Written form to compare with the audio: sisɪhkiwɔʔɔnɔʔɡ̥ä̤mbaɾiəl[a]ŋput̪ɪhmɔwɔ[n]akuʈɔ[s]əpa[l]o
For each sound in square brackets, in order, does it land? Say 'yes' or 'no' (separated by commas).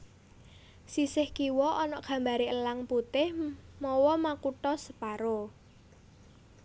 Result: yes, no, yes, no